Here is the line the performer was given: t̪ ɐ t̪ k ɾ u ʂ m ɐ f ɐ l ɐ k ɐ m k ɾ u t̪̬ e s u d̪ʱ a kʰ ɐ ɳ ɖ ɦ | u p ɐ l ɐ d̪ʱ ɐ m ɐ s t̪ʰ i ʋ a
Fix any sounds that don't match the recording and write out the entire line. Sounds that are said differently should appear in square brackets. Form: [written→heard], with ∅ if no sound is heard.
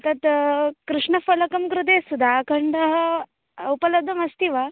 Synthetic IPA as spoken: t̪ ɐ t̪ k ɾ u ʂ [m→ɳ] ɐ f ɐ l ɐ k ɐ m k ɾ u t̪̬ e s u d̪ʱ a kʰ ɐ ɳ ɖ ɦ | u p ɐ l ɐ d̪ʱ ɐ m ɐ s [t̪ʰ→t̪] i ʋ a

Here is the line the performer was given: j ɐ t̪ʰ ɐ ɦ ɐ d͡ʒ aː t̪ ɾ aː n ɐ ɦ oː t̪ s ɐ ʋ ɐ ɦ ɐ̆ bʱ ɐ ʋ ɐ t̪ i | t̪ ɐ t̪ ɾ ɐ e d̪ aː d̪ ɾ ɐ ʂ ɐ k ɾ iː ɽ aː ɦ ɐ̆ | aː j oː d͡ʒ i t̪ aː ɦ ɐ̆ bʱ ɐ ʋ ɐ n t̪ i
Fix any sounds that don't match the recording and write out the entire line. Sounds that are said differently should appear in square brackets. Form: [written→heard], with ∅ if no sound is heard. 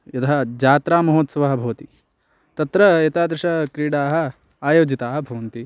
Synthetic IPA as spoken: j ɐ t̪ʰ ɐ ɦ ɐ d͡ʒ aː t̪ ɾ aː [n→m] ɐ ɦ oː t̪ s ɐ ʋ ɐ ɦ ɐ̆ bʱ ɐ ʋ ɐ t̪ i | t̪ ɐ t̪ ɾ ɐ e [d̪→t̪] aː d̪ ɾ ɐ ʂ ɐ k ɾ iː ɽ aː ɦ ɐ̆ | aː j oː d͡ʒ i t̪ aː ɦ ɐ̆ bʱ ɐ ʋ ɐ n t̪ i

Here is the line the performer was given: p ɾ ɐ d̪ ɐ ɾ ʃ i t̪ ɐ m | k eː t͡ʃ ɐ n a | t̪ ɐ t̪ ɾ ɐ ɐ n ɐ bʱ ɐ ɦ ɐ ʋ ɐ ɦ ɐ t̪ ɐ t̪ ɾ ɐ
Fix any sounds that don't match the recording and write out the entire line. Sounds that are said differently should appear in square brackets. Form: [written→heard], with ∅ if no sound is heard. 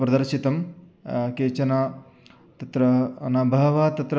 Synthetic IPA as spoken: p ɾ ɐ d̪ ɐ ɾ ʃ i t̪ ɐ m | k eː t͡ʃ ɐ n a | t̪ ɐ t̪ ɾ ɐ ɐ n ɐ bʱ ɐ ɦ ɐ ʋ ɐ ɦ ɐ t̪ ɐ t̪ ɾ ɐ

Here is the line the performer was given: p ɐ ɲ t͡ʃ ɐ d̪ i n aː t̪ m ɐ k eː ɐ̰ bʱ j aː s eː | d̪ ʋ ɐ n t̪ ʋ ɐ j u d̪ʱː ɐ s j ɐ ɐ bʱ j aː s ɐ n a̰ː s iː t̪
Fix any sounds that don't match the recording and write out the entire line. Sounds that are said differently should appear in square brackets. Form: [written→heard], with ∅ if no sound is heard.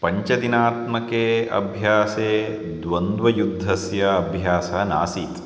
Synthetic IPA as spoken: p ɐ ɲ t͡ʃ ɐ d̪ i n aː t̪ m ɐ k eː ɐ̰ bʱ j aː s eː | d̪ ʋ ɐ n [t̪→d̪] ʋ ɐ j u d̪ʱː ɐ s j ɐ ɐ bʱ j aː s ɐ n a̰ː s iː t̪

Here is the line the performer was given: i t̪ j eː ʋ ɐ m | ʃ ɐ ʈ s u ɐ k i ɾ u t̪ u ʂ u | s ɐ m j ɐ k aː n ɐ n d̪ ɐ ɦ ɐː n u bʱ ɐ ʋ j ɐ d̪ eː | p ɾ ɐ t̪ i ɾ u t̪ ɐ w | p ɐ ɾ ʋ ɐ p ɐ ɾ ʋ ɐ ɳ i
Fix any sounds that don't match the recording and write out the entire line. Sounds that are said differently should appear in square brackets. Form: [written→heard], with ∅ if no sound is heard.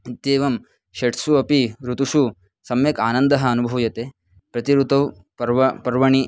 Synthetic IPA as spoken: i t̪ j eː ʋ ɐ m | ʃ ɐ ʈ s u ɐ [k→p] i ɾ u t̪ u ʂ u | s ɐ m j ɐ k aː n ɐ n d̪ ɐ ɦ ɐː n u bʱ ɐ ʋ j ɐ [d̪→t̪] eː | p ɾ ɐ t̪ i ɾ u t̪ ɐ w | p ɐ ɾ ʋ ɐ p ɐ ɾ ʋ ɐ ɳ i

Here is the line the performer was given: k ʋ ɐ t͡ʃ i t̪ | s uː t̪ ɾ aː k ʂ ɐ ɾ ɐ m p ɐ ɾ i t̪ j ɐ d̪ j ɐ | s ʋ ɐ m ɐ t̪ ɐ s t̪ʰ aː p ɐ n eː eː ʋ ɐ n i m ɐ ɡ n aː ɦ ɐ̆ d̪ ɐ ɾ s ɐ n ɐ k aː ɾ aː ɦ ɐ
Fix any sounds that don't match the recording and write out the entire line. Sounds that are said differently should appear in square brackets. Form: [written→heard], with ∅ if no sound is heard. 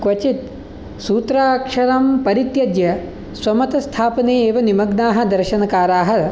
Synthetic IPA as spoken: k ʋ ɐ t͡ʃ i t̪ | s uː t̪ ɾ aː k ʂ ɐ ɾ ɐ m p ɐ ɾ i t̪ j ɐ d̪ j ɐ | s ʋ ɐ m ɐ t̪ ɐ s t̪ʰ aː p ɐ n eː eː ʋ ɐ n i m ɐ ɡ n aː ɦ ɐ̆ d̪ ɐ ɾ [s→ʃ] ɐ n ɐ k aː ɾ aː ɦ ɐ

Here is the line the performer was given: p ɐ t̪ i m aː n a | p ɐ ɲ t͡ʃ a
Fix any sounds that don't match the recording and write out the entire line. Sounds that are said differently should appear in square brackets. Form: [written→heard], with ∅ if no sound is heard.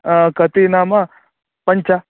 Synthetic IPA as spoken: [p→k] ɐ t̪ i [m→n] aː [n→m] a | p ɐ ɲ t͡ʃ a

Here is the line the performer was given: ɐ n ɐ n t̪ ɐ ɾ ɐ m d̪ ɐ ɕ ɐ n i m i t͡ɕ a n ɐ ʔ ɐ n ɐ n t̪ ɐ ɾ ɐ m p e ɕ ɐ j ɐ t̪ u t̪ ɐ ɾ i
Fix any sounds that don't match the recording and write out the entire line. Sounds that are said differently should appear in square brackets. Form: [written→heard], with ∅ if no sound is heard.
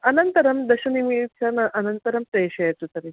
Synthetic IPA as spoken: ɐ n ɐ n t̪ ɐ ɾ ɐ m d̪ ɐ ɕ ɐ n i m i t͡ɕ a n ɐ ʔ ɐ n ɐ n t̪ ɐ ɾ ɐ m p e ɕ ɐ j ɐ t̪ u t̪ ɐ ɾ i

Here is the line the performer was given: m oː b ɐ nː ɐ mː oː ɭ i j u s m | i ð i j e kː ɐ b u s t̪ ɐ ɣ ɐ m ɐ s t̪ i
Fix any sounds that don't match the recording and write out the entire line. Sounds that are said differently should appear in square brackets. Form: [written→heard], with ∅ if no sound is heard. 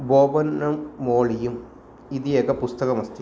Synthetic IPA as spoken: [m→b] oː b ɐ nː ɐ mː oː ɭ i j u [s→∅] m | i ð i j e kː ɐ [b→p] u s t̪ ɐ ɣ ɐ m ɐ s t̪ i

